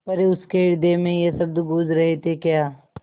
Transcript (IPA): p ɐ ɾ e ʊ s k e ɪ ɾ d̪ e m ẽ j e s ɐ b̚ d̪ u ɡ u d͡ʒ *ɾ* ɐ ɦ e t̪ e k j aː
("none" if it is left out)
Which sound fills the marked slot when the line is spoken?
ɾ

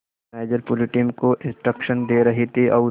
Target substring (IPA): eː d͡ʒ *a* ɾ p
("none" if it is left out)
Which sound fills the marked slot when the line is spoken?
ə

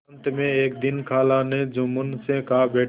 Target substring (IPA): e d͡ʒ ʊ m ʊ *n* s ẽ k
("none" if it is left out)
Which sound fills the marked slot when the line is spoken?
n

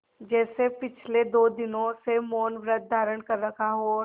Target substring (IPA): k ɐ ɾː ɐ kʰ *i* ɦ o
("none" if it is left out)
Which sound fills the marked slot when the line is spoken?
a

